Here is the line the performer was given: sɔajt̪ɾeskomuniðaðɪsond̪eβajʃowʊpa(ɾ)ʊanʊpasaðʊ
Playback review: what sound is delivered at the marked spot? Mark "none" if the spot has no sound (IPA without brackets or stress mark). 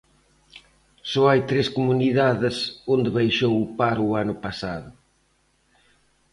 ɾ